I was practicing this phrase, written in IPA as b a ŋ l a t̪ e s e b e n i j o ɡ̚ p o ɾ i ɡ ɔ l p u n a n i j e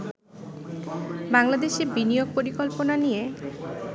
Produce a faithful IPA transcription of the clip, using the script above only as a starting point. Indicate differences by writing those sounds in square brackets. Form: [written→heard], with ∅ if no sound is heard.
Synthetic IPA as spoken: b a ŋ l a [t̪→d̪] e [s→ʃ] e b [e→i] n i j o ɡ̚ p o ɾ i [ɡ→k] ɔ l p [u→o] n a n i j e